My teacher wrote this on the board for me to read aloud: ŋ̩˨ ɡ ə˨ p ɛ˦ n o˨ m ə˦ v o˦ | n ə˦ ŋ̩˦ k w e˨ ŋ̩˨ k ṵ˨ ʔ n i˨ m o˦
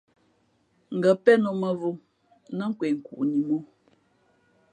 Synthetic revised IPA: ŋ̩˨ ɡ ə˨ p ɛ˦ n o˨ m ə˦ v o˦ | n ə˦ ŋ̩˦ k w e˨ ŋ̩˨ k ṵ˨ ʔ n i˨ m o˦